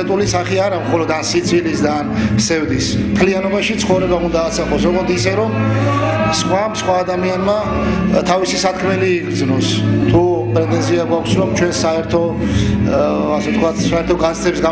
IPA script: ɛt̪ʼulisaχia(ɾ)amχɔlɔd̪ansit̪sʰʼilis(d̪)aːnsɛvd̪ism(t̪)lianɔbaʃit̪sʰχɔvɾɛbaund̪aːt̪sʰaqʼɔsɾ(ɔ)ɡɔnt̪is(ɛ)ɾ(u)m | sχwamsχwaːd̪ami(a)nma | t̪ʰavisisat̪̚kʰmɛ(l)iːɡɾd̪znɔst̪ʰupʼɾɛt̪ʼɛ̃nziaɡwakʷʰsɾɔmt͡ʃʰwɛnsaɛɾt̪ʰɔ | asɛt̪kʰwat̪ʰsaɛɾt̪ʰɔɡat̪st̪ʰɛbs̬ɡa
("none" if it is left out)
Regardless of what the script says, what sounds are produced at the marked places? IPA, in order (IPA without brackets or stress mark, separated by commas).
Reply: ɾ, d̪, t̪ʰ, ɔ, ɛ, ɔ, a, l